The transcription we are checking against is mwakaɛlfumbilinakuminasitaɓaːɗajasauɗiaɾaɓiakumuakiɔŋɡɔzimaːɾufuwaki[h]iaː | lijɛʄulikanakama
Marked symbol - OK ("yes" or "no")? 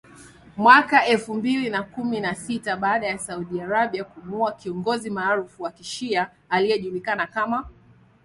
no